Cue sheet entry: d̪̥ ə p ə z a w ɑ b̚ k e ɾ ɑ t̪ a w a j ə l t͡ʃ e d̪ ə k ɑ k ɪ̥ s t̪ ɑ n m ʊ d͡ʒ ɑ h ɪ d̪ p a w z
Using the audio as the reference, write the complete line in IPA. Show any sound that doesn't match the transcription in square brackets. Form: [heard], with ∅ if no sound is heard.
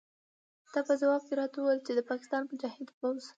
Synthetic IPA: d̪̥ [ɑ] p ə z a w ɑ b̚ k e ɾ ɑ t̪ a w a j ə l t͡ʃ e d̪ ə [p] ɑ k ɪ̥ s t̪ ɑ n m ʊ d͡ʒ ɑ h ɪ d̪ p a w z